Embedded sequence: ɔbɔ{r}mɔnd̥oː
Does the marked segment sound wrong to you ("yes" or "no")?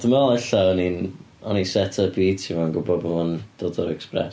yes